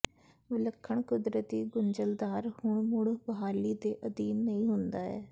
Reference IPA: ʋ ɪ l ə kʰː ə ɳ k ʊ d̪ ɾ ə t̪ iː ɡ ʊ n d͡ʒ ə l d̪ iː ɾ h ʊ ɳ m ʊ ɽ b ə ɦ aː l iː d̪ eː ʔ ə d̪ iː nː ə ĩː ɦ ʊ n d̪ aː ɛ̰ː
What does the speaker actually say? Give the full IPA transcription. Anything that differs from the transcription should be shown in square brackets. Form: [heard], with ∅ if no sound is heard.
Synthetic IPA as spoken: ʋ ɪ l ə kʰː ə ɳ k ʊ d̪ ɾ ə t̪ iː ɡ ʊ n d͡ʒ ə l d̪ [aː] ɾ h ʊ ɳ m ʊ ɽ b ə ɦ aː l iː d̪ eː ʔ ə d̪ iː nː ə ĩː ɦ ʊ n d̪ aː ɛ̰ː